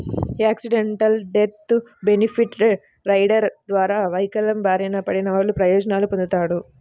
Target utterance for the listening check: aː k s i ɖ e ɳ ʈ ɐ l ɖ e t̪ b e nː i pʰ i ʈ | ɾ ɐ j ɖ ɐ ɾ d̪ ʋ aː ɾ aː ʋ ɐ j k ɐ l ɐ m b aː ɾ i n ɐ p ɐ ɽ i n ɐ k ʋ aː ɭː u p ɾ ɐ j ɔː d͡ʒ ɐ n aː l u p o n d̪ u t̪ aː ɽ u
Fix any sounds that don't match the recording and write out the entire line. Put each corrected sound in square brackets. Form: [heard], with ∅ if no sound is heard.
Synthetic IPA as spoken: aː k s i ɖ e ɳ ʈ ɐ l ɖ e t̪ b e [n] i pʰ i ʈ | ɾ ɐ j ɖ ɐ ɾ d̪ ʋ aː ɾ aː ʋ ɐ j k ɐ l ɐ m b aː ɾ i n ɐ p ɐ ɽ i n ɐ [∅] ʋ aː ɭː u p ɾ ɐ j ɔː d͡ʒ ɐ n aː l u p o n d̪ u t̪ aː ɽ u